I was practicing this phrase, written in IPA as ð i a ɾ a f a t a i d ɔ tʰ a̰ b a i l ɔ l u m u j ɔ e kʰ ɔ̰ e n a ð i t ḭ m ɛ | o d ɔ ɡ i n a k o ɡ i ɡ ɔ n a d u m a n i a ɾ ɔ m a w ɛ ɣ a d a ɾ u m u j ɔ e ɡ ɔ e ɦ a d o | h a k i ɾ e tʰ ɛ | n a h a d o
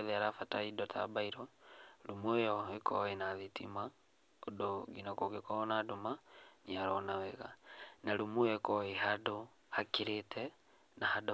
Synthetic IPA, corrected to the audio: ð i a ɾ a f a t a i d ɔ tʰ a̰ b a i ɾ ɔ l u m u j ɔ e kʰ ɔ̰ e n a ð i t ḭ m a | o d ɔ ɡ i n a k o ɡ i k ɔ n a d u m a n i a ɾ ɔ n a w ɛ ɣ a n a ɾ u m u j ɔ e k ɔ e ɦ a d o | h a k i ɾ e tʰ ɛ | n a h a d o

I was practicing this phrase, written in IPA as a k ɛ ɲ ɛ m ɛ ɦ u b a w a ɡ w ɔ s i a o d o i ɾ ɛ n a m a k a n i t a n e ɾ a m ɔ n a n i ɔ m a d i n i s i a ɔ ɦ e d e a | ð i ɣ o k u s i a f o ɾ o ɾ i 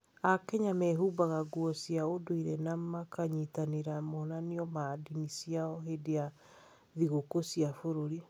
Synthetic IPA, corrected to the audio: a k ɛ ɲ a m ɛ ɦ u b a ɣ a ɡ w ɔ s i a o d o i ɾ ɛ n a m a k a ɲ i t a n e ɾ a m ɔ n a n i ɔ m a d i n i s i a ɔ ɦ e d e a | ð i ɣ o k o s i a f o ɾ o ɾ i

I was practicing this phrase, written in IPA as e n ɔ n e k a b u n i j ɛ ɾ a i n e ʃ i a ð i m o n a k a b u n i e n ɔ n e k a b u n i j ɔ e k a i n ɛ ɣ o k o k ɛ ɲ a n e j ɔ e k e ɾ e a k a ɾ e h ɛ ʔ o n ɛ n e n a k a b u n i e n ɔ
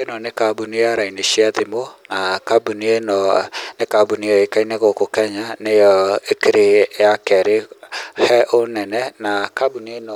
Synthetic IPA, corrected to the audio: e n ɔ n e k a b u n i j a ɾ a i n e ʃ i a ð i m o n a k a b u n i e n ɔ n e k a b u n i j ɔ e k a i n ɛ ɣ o k o k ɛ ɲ a n e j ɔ e k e ɾ e a k ɛ ɾ e h ɛ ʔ o n ɛ n ɛ n a k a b u n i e n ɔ

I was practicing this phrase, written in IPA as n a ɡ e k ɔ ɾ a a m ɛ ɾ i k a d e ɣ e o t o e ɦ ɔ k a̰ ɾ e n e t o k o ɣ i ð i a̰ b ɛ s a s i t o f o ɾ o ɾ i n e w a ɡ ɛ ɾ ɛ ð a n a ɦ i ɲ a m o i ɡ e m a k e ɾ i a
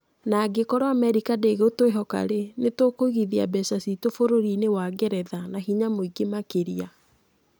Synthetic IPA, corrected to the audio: n a ɡ e k ɔ ɾ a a m ɛ ɾ i k a d e ɣ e o t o e ɦ ɔ k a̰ ɾ e n e t o k o ɣ i ð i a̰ b ɛ s a s i t o f o ɾ o ɾ i n e w a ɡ ɛ ɾ ɛ ð a n a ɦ i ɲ a m o i ɡ e m a k e ɾ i a

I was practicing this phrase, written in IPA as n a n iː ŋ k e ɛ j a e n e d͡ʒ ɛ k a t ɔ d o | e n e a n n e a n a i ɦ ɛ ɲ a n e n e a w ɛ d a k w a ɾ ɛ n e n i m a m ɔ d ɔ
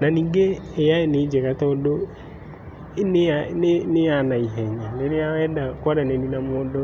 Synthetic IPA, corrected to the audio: n a n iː ŋ ɡ e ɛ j a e n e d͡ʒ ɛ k a t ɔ d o | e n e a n n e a n a i ɦ ɛ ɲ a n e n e a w ɛ d a k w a ɾ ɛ n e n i n a m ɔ d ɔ

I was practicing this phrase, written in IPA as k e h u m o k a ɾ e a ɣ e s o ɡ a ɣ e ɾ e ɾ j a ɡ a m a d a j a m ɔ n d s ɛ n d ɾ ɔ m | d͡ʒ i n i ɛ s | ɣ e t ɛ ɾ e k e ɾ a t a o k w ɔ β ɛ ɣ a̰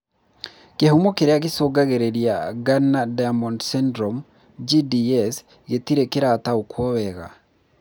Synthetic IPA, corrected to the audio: k e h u m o k e ɾ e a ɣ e s o ɡ a ɣ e ɾ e ɾ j a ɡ a n a d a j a m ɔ n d s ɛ n d ɾ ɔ m | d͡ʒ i d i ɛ s | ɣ e t i ɾ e k e ɾ a t a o k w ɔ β ɛ ɣ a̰

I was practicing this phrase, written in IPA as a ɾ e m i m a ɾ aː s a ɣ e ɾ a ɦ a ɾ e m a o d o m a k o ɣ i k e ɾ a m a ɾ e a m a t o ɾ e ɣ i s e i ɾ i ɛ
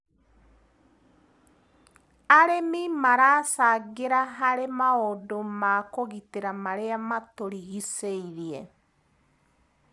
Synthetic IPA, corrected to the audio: a ɾ e m i m a ɾ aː s a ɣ e ɾ a ɦ a ɾ e m a o d o m a k o ɣ i t e ɾ a m a ɾ e a m a t o ɾ i ɣ i s e i ɾ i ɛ

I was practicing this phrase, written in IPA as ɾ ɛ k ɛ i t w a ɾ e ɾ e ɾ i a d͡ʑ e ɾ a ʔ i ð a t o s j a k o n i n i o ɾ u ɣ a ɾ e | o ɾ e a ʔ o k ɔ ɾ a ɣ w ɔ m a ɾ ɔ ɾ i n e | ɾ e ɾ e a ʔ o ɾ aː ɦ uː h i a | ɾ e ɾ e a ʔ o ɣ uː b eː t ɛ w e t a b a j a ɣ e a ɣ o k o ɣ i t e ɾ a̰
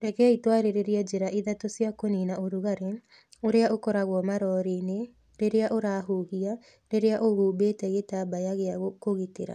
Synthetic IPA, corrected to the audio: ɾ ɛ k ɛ i t w a ɾ e ɾ e ɾ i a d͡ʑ e ɾ a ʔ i ð a t o s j a k o n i n a o ɾ u ɣ a ɾ e | o ɾ e a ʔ o k ɔ ɾ a ɣ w ɔ m a ɾ ɔ ɾ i n e | ɾ e ɾ e a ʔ o ɾ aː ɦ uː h i a | ɾ e ɾ e a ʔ o ɣ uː b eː t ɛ ɣ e t a b a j a ɣ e a ɣ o k o ɣ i t e ɾ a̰

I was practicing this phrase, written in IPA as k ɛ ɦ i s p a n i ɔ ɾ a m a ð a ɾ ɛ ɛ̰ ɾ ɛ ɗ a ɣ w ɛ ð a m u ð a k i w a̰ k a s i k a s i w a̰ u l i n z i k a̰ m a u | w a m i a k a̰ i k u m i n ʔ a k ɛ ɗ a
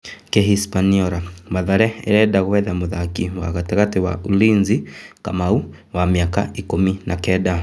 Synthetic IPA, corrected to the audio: k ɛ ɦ i s p a n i ɔ ɾ a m a ð a ɾ ɛ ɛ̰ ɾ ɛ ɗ a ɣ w ɛ ð a m u ð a k i w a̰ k a t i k a t i w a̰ u l i n z i k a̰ m a u | w a m i a k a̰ i k u m i n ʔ a k ɛ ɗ a

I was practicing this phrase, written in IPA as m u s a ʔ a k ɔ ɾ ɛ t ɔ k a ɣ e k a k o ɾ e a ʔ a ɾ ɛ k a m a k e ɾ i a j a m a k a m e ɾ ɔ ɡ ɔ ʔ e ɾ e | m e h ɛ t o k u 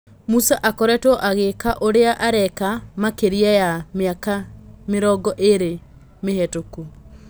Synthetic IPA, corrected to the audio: m u s a ʔ a k ɔ ɾ ɛ t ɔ ʔ a ɣ e k a ʔ o ɾ e a ʔ a ɾ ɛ k a m a k e ɾ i a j a m a k a m e ɾ ɔ ɡ ɔ ʔ e ɾ e | m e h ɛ t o k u

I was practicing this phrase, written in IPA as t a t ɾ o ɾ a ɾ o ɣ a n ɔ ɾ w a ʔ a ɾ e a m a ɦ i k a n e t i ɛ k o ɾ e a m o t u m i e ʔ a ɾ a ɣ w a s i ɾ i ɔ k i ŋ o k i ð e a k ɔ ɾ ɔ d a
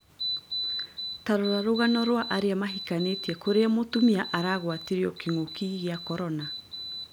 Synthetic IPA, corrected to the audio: t a ɾ o ɾ a ɾ o ɣ a n ɔ ɾ w a ʔ a ɾ e a m a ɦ i k a n e t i ɛ k o ɾ e a m o t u m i a ʔ a ɾ a ɣ w a t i ɾ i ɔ k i ŋ o k i ɣ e a k ɔ ɾ ɔ n a

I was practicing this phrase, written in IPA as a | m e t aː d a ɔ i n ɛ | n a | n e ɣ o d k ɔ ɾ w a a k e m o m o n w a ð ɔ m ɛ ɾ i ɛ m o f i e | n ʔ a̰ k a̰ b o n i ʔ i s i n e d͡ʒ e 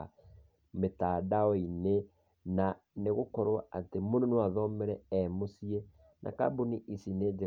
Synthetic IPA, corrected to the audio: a | m e t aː d a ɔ i n e | n a | n e ɣ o k ɔ ɾ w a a t e m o n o n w a ð ɔ m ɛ ɾ ɛ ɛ m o s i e | n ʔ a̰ k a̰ b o n i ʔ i s i n e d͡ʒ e

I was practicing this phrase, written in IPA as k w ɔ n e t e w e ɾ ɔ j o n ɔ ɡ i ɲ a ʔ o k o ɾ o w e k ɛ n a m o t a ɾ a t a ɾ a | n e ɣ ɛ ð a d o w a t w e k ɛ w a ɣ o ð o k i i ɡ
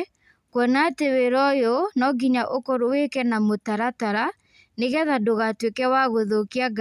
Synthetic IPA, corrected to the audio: k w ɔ n a t e w e ɾ ɔ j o n ɔ ɡ i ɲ a ʔ o k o ɾ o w e k ɛ n a m o t a ɾ a t a ɾ a | n e ɣ ɛ ð a d o ɣ a t w e k ɛ w a ɣ o ð o k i a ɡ

